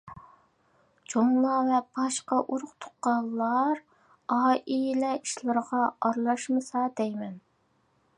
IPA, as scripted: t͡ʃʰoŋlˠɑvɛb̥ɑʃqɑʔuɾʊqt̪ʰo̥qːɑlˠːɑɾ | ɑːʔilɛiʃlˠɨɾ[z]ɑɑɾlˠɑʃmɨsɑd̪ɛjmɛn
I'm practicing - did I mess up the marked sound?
yes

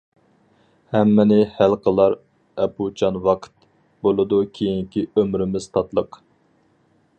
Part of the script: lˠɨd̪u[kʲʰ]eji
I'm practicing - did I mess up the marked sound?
no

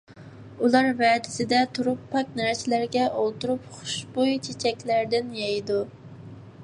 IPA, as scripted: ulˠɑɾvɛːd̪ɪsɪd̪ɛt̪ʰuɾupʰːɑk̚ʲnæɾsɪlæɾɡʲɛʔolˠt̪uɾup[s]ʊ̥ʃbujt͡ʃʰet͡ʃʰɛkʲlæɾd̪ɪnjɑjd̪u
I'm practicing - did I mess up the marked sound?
yes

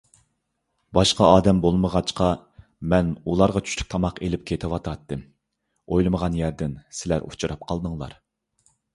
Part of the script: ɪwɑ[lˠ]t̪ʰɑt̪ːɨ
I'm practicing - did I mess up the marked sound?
yes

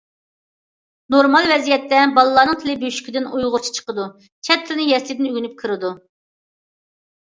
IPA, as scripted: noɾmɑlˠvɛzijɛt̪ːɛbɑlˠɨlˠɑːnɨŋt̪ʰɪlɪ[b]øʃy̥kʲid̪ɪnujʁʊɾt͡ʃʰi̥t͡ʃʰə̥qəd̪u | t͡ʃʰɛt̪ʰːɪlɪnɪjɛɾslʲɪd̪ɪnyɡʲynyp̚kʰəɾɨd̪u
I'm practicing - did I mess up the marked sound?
no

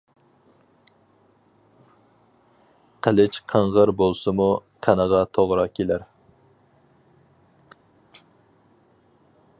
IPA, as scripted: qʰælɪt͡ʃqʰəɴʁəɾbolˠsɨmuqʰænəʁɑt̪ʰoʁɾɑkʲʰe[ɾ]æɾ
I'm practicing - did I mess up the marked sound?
yes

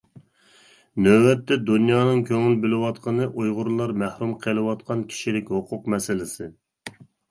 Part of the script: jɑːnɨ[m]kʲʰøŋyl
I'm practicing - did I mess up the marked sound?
yes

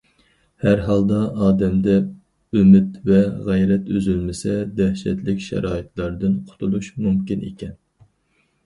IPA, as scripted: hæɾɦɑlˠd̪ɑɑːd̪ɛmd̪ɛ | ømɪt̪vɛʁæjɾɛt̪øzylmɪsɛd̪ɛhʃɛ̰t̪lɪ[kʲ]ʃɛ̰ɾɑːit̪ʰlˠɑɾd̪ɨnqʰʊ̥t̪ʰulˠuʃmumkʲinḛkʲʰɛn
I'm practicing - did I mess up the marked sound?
no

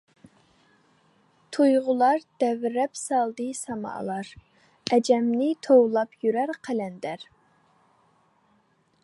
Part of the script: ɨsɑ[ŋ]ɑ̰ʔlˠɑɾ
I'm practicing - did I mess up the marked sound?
yes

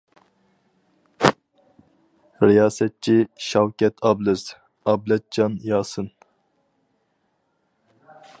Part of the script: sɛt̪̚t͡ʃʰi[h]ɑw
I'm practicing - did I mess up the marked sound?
yes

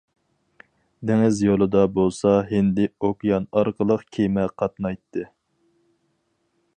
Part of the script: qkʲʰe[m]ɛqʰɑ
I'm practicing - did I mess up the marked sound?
no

